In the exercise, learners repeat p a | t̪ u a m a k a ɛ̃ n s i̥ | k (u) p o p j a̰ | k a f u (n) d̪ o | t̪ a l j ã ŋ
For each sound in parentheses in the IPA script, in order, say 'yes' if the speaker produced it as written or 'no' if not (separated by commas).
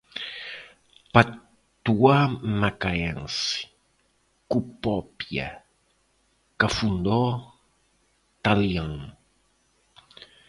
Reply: yes, yes